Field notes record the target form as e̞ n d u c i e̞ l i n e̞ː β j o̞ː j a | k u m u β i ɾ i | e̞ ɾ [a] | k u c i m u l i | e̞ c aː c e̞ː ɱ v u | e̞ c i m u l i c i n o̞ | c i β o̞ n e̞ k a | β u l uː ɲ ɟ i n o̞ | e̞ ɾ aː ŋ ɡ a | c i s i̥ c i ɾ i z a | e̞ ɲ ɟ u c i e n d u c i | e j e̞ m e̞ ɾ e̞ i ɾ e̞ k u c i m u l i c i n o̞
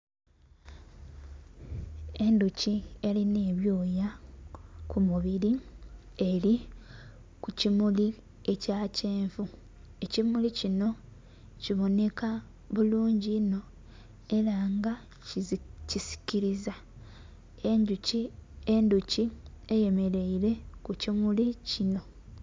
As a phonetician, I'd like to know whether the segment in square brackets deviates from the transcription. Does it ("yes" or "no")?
yes